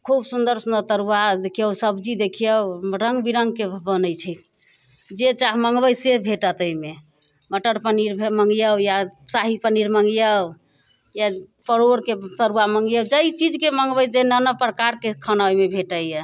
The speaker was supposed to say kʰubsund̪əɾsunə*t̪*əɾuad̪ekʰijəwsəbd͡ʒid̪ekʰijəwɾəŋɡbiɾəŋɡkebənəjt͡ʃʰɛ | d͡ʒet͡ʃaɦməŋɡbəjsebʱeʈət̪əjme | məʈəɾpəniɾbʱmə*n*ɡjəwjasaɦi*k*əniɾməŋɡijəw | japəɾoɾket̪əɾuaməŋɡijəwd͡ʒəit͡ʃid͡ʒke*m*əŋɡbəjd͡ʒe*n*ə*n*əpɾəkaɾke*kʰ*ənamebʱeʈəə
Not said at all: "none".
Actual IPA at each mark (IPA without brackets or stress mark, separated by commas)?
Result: t̪, ŋ, p, m, n, n, kʰ